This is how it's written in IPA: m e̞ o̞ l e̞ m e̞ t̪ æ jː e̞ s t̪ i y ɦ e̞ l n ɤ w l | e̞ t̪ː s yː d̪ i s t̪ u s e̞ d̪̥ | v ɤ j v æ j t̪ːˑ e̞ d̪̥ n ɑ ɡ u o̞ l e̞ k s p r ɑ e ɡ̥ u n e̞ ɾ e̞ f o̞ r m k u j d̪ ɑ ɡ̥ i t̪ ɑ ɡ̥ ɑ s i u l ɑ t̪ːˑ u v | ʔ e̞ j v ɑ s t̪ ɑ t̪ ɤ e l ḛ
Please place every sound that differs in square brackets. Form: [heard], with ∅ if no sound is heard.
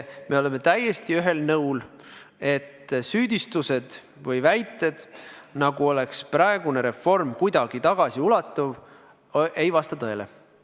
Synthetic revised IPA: m e̞ o̞ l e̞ m e̞ t̪ æ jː e̞ s t̪ i y ɦ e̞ l n ɤ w l | e̞ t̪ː s yː d̪ i s t̪ u s e̞ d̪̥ | v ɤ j v æ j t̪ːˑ e̞ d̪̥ n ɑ ɡ u o̞ l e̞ k s p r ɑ e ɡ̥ u n e̞ ɾ e̞ f o̞ r m k u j d̪ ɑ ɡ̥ i t̪ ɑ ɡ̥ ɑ s i u l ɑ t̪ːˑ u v | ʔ e̞ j v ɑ s t̪ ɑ t̪ ɤ e l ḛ

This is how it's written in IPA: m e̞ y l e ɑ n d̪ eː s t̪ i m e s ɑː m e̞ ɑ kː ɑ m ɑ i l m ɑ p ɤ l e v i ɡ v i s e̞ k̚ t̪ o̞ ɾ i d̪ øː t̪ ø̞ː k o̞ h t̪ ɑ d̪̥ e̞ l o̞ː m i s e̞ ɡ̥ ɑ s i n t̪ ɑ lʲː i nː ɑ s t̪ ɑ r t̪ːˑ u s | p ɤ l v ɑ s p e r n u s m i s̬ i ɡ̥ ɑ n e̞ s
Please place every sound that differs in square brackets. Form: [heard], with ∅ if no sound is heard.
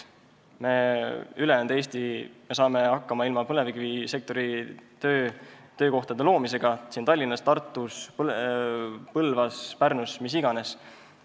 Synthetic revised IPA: m e̞ y l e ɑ n d̪ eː s t̪ i m e s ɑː m e̞ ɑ kː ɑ m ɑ i l m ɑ p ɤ l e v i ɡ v i s e̞ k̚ t̪ o̞ ɾ i [t̪] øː t̪ ø̞ː k o̞ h t̪ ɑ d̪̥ e̞ l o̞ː m i s e̞ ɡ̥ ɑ s i n t̪ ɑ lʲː i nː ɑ s t̪ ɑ r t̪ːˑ u s | p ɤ l v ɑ s p [æ] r n u s m i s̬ i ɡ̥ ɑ n e̞ s

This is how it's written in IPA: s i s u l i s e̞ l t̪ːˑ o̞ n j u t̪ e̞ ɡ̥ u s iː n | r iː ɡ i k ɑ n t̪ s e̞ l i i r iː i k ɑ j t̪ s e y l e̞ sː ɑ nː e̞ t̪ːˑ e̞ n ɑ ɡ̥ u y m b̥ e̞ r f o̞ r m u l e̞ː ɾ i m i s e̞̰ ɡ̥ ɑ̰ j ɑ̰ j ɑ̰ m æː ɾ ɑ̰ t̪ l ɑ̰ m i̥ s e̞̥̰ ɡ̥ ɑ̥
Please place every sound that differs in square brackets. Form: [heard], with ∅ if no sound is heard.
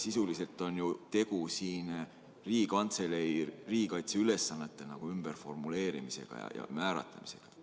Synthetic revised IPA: s i s u l i s e̞ l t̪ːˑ o̞ n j u t̪ e̞ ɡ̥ u s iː n | r iː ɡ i k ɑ n t̪ s e̞ l [e] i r iː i k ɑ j t̪ s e y l e̞ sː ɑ nː e̞ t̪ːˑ e̞ n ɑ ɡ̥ u y m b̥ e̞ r f o̞ r m u l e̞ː ɾ i m i s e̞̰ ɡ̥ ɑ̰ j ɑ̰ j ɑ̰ m æː ɾ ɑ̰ t̪ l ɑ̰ m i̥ s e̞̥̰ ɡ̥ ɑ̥

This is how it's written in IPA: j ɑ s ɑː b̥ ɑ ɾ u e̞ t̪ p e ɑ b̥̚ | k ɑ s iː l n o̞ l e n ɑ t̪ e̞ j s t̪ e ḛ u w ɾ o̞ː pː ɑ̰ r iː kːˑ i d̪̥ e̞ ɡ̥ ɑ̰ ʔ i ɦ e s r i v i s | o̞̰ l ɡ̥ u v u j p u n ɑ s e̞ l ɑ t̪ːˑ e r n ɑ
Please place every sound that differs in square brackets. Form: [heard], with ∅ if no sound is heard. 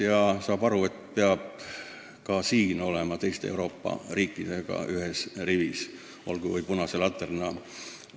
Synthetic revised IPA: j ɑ s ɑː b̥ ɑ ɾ u e̞ t̪ p e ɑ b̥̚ | k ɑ s iː [∅] n o̞ l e [m] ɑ t̪ e̞ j s t̪ e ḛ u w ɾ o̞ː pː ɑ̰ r iː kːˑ i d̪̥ e̞ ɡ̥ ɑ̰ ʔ [y] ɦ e s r i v i s | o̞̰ l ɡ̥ u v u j p u n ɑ s e̞ l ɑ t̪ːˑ e r n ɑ

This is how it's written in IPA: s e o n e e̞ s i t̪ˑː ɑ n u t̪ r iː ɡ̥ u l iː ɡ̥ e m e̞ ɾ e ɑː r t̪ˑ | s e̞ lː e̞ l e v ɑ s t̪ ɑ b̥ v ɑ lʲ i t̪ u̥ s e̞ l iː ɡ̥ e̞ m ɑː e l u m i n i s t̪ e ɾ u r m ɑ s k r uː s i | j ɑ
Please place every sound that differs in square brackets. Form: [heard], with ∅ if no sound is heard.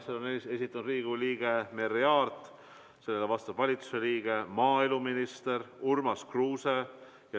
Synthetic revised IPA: s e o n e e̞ s i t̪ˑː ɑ n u [d̪] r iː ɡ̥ u l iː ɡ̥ e m e̞ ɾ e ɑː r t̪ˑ | s e̞ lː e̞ l e v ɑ s t̪ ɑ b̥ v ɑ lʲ i t̪ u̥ s e̞ l iː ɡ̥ e̞ m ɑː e l u m i n i s t̪ e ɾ u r m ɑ s k r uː s [e] | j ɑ

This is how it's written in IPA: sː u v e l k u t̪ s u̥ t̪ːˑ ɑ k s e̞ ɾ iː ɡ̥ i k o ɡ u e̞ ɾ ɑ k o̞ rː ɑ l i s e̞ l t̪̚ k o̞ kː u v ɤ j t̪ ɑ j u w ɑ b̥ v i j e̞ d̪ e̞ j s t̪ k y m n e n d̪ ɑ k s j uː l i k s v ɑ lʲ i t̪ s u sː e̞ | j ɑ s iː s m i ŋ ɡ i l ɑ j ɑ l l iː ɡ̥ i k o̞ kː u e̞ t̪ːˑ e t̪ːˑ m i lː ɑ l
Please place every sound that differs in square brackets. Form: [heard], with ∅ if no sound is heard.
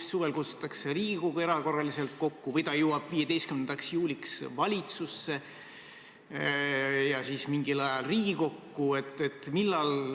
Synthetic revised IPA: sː u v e l k u t̪ s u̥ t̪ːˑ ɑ k s e̞ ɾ iː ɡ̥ i k o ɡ u e̞ ɾ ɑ k o̞ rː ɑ l i s e̞ l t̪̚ k o̞ kː u v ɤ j t̪ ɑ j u w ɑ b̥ v i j e̞ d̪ e̞ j s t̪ k y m n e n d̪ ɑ k s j uː l i k s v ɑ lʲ i t̪ s u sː e̞ | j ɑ s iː s m i ŋ ɡ i l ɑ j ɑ l [r] iː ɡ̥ i k o̞ kː u e̞ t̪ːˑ e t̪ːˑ m i lː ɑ l

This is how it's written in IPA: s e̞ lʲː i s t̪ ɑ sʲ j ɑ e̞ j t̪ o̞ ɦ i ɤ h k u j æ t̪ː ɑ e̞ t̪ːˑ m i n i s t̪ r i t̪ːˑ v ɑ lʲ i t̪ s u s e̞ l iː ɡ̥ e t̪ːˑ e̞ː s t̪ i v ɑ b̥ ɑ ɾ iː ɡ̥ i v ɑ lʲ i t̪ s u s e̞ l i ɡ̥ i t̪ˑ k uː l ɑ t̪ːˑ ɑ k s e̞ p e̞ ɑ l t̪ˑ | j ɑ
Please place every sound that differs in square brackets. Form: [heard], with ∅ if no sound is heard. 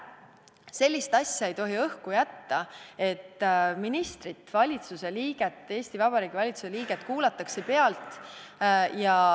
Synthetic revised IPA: s e̞ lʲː i s t̪ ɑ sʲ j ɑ e̞ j t̪ o̞ ɦ i ɤ h k u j æ t̪ː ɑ e̞ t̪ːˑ m i n i s t̪ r i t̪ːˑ v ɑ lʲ i t̪ s u s e̞ l iː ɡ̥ e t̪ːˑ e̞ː s t̪ i v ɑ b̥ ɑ ɾ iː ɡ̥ i v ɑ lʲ i t̪ s u s e̞ l [iː] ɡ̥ [e] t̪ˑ k uː l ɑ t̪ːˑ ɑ k s e̞ p e̞ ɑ l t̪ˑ | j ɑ

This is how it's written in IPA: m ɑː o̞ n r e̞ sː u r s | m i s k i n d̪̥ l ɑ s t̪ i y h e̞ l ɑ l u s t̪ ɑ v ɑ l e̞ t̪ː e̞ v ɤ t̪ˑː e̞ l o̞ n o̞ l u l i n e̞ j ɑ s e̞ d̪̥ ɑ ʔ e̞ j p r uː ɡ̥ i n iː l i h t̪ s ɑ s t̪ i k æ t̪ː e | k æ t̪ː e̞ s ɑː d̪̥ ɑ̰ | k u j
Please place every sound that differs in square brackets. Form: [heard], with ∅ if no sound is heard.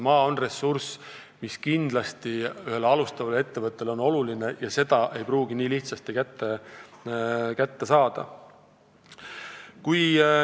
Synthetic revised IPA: m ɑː o̞ n r e̞ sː u r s | m i s k i n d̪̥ l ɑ s t̪ i y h e̞ l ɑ l u s t̪ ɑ v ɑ l e̞ t̪ː e̞ v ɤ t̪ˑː e̞ l o̞ n o̞ l u l i n e̞ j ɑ s e̞ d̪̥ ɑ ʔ e̞ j p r uː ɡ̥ i n iː l i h t̪ s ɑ s t̪ i k æ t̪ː e | k æ t̪ː e̞ s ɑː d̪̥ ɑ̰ | k u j

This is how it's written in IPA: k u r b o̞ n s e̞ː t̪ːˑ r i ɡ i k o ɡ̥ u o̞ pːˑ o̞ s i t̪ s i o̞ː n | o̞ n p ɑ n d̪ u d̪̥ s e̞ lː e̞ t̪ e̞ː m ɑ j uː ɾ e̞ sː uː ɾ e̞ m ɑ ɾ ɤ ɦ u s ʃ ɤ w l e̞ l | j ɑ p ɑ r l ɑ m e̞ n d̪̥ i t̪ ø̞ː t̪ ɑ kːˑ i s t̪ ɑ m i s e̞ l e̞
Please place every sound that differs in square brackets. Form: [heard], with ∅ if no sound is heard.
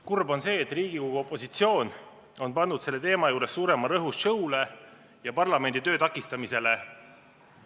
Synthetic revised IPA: k u r b o̞ n s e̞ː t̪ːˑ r [iː] ɡ i k o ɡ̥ u o̞ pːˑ o̞ s i t̪ s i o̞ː n | o̞ n p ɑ n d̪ u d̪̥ s e̞ lː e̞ t̪ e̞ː m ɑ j uː ɾ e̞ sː uː ɾ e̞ m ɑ ɾ ɤ ɦ u s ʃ ɤ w l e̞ [∅] | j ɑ p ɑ r l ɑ m e̞ n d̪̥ i t̪ ø̞ː t̪ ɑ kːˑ i s t̪ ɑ m i s e̞ l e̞

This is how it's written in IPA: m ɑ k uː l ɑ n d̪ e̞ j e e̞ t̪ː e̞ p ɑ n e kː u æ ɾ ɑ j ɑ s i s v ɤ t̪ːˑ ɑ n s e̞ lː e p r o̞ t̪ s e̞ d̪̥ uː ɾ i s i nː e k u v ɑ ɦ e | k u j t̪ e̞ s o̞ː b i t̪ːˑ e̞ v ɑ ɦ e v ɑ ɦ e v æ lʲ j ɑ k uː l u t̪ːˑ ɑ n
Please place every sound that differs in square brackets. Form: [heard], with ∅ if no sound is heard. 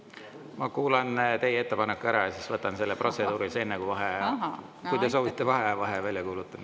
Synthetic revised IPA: m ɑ k uː l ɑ n [t̪] e̞ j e e̞ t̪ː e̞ p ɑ n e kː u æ ɾ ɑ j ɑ s i s v ɤ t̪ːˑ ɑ n s e̞ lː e p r o̞ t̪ s e̞ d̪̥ uː ɾ i s [e] nː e k u v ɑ ɦ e | k u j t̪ e̞ s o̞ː [v] i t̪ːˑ e̞ v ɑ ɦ e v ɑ ɦ e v æ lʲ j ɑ k uː l u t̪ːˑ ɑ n

